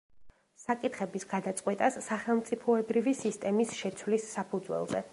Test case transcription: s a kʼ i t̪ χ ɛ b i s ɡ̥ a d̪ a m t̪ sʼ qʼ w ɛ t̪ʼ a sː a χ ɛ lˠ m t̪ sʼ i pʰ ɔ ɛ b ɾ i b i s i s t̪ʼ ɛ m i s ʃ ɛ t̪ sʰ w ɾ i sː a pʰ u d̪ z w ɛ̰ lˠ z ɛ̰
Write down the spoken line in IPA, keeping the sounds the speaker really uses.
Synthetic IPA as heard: s a kʼ i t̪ χ ɛ b i s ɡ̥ a d̪ a t̪ sʼ qʼ w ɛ t̪ʼ a sː a χ ɛ lˠ m t̪ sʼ i pʰ ɔ ɛ b ɾ i v i s i s t̪ʼ ɛ m i s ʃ ɛ t̪ sʰ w l i sː a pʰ u d̪ z w ɛ̰ lˠ z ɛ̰